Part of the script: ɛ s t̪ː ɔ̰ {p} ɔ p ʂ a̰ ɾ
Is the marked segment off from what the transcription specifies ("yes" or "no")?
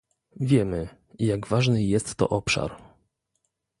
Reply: yes